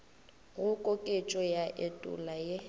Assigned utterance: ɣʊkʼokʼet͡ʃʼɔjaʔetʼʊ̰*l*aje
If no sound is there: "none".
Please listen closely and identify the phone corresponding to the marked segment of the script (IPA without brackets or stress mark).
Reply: l